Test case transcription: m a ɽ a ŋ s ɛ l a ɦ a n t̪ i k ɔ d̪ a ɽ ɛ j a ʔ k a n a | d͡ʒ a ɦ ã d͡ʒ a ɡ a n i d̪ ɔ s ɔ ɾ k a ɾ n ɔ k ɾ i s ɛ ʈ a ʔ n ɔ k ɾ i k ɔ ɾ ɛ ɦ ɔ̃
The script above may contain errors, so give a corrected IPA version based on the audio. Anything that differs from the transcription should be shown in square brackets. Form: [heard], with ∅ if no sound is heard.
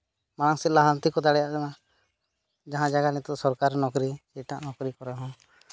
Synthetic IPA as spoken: m a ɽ a ŋ s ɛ l a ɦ a n t̪ i k ɔ d̪ a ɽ ɛ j a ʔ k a n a | d͡ʒ a ɦ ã d͡ʒ a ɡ a n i [t̪] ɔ s ɔ ɾ k a ɾ n ɔ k ɾ i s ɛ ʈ a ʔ n ɔ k ɾ i k ɔ ɾ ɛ ɦ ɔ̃

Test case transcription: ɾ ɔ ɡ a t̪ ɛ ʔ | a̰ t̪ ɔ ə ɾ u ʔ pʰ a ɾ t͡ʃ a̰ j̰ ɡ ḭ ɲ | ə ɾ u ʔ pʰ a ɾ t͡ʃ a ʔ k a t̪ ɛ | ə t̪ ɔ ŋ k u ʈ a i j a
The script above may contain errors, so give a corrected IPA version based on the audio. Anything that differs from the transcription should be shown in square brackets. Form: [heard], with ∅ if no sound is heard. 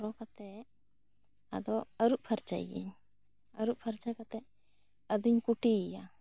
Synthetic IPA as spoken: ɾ ɔ [k] a t̪ ɛ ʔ | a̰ [d̪] ɔ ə ɾ u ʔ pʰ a ɾ t͡ʃ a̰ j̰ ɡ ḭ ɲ | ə ɾ u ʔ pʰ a ɾ t͡ʃ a [∅] k a t̪ ɛ | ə [d̪] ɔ [ɲ] k u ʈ [i] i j a

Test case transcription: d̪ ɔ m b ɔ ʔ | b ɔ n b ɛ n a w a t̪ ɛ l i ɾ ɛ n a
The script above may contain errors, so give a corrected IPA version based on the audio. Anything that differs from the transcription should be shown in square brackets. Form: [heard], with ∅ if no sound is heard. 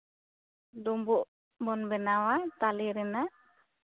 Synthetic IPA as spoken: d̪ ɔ m b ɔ ʔ | b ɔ n b ɛ n a w a t̪ [a] l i ɾ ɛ n a

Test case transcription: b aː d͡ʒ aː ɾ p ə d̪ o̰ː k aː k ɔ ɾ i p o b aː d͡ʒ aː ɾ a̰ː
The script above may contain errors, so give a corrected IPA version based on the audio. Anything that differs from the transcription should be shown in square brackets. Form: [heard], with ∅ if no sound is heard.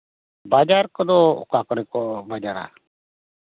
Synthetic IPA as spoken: b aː d͡ʒ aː ɾ [k] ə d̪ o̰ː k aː k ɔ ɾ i [k] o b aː d͡ʒ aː ɾ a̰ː

